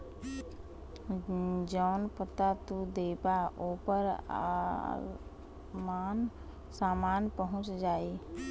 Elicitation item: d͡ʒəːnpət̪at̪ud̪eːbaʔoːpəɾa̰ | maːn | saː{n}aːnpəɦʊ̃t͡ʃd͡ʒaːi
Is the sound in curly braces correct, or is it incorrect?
incorrect: m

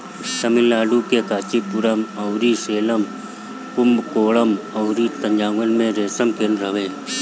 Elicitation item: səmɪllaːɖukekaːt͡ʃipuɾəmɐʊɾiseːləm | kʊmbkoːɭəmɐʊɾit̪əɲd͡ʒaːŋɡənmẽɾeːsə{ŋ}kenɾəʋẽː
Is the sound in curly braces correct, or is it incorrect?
incorrect: m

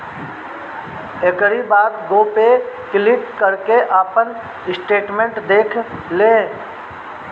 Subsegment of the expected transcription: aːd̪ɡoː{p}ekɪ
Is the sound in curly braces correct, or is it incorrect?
correct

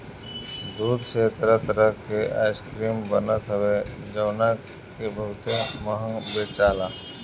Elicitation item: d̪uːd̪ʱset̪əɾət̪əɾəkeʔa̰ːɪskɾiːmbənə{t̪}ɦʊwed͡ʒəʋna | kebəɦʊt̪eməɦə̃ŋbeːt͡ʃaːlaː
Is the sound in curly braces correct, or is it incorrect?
correct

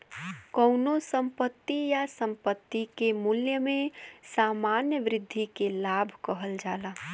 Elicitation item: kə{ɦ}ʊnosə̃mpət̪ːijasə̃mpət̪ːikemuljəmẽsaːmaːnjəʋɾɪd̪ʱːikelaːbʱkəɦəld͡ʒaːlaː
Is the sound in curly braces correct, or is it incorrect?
incorrect: none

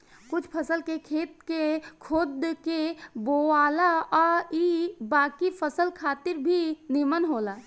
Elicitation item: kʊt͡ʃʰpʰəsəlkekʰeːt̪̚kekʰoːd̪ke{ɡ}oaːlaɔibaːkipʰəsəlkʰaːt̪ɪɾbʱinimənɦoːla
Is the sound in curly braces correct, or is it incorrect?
incorrect: b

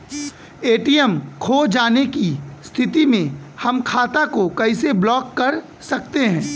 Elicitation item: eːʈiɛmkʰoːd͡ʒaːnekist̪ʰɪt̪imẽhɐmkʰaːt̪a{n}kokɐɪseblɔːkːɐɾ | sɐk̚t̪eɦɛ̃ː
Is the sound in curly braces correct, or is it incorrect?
incorrect: none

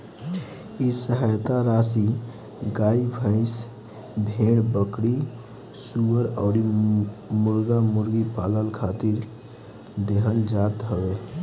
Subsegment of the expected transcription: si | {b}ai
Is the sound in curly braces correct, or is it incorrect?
incorrect: ɡ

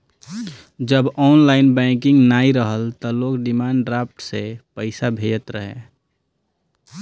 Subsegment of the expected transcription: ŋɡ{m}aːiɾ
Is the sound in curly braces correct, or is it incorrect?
incorrect: n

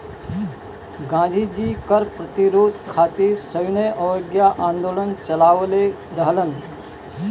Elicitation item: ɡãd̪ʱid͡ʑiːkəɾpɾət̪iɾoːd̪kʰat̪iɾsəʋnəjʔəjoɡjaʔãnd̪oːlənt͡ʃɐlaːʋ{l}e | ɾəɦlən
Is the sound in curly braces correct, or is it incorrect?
correct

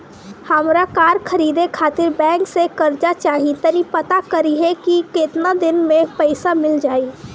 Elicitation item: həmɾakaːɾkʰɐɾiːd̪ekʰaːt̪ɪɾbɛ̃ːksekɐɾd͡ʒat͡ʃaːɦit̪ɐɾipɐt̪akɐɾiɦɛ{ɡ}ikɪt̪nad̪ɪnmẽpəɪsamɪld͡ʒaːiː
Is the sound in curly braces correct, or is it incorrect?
incorrect: k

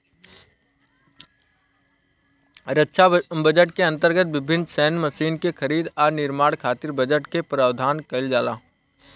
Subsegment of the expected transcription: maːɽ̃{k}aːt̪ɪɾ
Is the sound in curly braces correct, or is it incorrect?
incorrect: kʰ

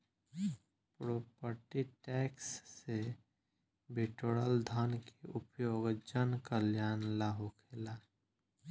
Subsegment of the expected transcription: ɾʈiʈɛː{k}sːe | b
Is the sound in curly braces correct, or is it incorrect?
correct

